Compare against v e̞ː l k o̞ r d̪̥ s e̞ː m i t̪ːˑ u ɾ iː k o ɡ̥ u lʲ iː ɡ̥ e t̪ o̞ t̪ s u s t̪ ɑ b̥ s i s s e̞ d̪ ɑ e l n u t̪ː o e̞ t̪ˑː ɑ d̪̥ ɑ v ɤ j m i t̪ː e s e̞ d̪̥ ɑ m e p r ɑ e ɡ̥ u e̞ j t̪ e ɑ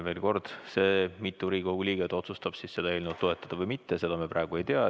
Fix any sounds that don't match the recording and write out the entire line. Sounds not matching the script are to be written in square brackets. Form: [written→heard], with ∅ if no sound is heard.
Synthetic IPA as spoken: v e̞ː l k o̞ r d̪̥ s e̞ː m i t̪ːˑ u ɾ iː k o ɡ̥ u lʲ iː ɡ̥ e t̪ o̞ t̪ s u s t̪ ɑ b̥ s i s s e̞ d̪ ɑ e l n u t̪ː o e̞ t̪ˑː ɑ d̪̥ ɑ v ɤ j m i t̪ː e s e̞ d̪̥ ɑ m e p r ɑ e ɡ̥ u e̞ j t̪ e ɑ